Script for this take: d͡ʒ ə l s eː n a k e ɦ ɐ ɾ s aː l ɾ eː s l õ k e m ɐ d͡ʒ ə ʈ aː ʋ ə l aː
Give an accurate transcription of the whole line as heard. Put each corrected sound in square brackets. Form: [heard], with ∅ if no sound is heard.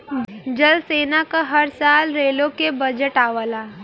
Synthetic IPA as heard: d͡ʒ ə l s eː n a k [a] ɦ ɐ ɾ s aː l ɾ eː [∅] l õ k e [b] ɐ d͡ʒ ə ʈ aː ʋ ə l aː